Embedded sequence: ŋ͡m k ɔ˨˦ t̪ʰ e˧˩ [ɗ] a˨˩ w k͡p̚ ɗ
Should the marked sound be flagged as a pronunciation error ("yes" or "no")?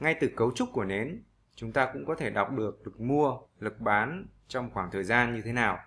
no